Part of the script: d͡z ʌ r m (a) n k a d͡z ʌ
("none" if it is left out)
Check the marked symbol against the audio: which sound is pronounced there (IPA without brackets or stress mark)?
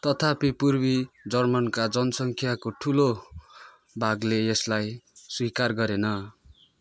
ʌ